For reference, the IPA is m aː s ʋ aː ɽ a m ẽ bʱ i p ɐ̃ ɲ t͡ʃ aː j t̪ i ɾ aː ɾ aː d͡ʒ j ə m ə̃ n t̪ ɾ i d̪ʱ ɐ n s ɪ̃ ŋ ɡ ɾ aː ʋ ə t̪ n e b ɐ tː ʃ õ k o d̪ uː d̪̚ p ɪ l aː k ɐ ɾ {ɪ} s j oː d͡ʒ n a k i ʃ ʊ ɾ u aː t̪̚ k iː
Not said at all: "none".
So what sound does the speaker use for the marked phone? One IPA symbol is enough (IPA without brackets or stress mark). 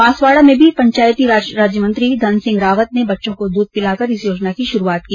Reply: ɪ